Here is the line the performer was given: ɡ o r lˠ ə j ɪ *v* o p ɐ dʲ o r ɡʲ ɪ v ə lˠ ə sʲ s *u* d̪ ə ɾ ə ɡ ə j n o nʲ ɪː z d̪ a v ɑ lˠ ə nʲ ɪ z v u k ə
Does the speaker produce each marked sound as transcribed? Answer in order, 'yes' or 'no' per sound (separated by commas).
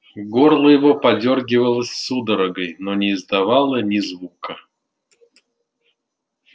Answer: yes, yes